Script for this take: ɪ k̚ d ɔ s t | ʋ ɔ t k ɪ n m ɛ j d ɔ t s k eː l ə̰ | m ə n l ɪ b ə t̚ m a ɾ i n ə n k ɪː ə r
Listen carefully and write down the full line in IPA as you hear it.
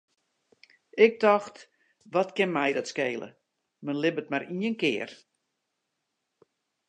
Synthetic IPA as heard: ɪ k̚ d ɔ x t | ʋ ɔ t k ɪ n m ɛ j d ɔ t s k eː l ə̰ | m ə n l ɪ b ə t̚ m a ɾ i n ə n k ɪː ə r